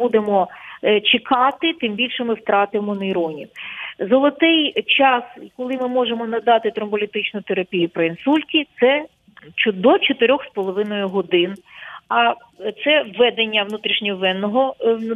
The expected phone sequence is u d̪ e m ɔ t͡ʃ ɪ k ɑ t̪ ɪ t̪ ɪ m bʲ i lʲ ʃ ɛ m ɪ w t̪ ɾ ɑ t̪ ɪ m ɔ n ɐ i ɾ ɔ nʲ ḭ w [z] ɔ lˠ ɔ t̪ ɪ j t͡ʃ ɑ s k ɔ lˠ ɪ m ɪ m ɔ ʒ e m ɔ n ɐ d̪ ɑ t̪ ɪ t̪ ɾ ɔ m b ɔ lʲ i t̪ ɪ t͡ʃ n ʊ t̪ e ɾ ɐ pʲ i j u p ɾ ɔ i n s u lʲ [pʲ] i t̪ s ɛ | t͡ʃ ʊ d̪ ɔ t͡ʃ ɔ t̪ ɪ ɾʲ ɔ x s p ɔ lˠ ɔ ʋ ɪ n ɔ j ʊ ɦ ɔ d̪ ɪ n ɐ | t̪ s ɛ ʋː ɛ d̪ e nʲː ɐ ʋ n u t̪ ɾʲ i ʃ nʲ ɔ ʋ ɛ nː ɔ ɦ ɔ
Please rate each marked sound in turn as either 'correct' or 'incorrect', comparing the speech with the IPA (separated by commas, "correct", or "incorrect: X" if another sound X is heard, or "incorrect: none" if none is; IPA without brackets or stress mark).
correct, incorrect: tʲ